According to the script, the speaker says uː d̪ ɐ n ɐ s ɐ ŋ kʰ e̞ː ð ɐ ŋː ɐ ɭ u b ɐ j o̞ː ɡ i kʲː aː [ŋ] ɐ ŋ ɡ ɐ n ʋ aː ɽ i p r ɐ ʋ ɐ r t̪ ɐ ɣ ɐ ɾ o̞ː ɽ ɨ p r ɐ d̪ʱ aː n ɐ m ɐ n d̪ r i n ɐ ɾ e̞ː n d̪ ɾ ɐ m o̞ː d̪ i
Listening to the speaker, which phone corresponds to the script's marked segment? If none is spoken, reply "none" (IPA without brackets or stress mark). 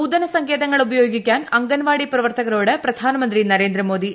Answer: n